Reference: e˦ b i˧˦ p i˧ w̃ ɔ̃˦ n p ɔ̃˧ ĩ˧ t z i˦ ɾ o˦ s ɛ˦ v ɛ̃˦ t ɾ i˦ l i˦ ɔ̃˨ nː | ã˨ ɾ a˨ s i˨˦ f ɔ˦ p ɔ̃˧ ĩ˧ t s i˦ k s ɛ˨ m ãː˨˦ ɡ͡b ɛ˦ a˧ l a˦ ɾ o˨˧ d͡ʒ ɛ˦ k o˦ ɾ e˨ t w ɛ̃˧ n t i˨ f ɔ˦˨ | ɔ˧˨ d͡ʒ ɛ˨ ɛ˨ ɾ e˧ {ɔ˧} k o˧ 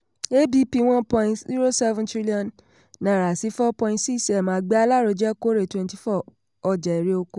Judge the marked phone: incorrect: o˧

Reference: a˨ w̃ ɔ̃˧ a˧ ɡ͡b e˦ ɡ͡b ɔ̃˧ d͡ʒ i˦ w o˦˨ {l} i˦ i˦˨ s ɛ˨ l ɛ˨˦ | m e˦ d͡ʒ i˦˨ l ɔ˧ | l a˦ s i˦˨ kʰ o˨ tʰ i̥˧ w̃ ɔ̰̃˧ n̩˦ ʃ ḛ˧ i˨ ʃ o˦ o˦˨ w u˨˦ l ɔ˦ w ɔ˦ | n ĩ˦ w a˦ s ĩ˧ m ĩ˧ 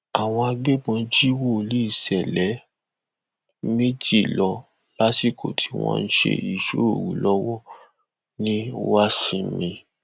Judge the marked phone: correct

